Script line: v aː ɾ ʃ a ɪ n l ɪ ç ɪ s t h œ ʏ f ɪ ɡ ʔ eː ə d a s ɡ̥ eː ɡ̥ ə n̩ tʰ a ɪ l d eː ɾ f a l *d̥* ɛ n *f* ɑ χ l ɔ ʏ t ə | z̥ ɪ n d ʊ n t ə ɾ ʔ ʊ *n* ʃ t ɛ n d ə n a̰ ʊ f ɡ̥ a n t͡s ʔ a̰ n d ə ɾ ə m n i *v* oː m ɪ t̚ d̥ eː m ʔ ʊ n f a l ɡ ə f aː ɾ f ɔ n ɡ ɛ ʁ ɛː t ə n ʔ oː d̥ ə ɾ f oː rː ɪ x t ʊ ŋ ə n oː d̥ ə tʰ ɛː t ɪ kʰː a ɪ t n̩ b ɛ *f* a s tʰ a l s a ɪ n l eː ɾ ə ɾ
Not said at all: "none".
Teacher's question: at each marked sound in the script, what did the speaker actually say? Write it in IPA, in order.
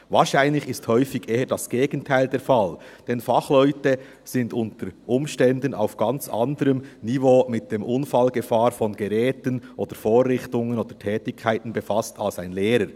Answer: d̥, f, m, v, f

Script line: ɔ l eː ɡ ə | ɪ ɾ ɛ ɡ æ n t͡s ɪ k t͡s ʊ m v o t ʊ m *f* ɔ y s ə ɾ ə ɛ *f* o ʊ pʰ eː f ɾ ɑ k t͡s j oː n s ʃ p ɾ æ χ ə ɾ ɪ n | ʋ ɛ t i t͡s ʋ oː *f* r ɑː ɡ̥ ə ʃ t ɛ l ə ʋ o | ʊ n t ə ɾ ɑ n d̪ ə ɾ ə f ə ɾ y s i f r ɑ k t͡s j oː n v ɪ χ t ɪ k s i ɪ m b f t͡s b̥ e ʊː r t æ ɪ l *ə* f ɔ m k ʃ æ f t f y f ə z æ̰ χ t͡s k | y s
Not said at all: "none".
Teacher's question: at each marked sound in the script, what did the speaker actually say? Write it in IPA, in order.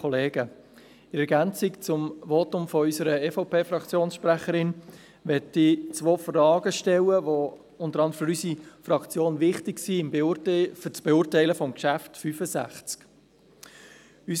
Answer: f, f, f, ə

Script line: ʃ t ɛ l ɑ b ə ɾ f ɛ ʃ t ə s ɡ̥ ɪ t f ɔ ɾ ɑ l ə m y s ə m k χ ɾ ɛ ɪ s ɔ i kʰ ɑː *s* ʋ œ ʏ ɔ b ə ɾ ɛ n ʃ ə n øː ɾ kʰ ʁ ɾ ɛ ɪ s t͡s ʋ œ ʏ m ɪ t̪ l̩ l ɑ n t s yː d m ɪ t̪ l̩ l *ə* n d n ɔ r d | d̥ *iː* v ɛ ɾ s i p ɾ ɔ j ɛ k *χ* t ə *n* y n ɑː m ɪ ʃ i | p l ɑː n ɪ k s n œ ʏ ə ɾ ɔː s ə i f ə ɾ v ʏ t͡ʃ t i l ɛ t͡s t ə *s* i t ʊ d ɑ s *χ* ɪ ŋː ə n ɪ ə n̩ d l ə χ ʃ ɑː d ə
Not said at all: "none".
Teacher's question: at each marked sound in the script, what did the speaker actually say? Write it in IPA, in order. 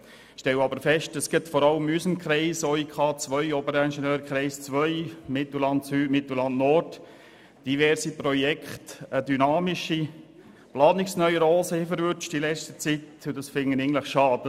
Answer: t͡s, ɑ, i, χ, d, t͡s, f

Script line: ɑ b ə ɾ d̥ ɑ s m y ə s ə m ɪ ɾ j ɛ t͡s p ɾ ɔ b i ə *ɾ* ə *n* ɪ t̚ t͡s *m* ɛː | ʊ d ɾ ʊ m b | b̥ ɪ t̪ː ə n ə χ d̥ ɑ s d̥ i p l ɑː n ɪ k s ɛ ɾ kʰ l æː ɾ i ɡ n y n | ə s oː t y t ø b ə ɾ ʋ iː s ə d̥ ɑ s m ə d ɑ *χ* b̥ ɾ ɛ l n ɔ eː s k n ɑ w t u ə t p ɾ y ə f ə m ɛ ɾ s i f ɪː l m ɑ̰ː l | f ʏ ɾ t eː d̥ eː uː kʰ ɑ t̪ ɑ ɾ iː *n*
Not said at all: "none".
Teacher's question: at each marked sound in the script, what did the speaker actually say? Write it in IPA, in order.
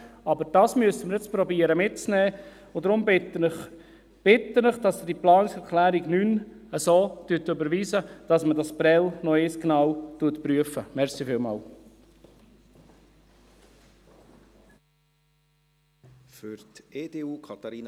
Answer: ɾ, m, n, s, n

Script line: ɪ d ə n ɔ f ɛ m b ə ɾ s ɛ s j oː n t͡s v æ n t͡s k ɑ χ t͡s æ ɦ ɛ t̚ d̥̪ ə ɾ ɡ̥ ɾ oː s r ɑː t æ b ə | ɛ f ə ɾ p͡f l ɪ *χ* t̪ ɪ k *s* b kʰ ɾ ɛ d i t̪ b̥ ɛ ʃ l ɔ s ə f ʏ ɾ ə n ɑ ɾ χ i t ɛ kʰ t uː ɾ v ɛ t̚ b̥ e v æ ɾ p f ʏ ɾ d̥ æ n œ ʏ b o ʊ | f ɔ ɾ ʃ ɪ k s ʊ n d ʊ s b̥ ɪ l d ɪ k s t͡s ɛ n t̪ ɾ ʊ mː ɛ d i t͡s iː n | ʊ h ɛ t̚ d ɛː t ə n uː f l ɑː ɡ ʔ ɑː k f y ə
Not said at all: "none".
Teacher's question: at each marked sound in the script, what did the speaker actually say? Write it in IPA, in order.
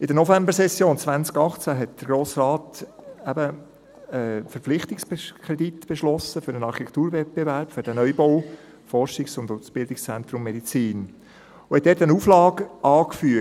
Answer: χ, s

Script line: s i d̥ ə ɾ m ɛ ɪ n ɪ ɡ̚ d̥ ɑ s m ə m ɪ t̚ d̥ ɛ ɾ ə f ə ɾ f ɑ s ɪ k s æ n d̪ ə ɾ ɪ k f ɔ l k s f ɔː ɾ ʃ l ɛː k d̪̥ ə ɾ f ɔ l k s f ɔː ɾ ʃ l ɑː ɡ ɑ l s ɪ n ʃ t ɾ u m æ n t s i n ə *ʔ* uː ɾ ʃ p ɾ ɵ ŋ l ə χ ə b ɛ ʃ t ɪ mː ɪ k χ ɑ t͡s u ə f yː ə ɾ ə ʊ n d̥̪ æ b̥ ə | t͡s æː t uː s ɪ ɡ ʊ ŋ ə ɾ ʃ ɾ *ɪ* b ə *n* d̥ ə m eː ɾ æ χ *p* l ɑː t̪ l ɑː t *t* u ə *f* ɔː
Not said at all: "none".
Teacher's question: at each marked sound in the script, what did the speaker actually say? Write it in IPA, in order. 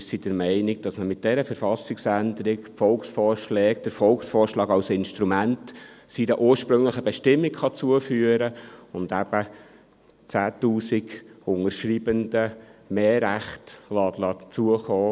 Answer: ʔ, i, n, t, t͡s, χ

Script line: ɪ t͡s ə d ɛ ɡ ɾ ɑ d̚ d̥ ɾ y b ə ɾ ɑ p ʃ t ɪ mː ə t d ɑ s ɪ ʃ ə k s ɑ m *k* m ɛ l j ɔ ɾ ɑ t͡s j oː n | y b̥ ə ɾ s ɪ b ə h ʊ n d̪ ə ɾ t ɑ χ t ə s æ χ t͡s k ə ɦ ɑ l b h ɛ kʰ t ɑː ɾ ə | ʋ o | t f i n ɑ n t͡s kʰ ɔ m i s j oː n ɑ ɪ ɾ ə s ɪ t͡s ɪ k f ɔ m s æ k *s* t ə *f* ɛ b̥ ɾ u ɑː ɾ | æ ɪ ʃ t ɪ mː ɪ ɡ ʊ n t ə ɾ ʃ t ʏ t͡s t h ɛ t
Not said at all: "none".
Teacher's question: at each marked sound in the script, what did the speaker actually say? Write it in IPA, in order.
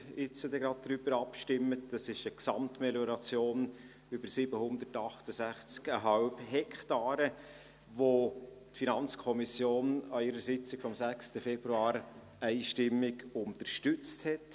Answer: t, s, f

